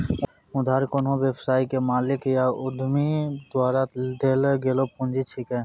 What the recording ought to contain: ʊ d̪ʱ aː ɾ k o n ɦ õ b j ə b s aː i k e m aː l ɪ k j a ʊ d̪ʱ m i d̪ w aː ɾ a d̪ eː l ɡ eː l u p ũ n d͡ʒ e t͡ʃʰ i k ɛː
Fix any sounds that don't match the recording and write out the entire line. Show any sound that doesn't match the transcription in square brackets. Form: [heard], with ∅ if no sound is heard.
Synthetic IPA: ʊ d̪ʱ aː ɾ k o n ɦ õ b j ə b s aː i k e m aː l ɪ k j a ʊ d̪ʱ m i d̪ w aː ɾ a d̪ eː l ɡ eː l [o] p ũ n d͡ʒ [i] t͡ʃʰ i k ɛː